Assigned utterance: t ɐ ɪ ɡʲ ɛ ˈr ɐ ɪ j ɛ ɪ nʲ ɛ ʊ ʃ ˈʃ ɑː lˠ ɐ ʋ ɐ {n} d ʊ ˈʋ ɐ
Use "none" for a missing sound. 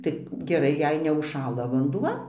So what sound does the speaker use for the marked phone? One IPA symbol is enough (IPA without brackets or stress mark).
n